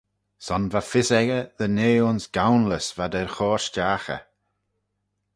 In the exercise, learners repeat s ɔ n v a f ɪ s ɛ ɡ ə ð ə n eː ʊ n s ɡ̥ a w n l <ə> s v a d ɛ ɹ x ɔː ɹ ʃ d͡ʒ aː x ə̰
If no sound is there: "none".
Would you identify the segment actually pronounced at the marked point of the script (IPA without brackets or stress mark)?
ə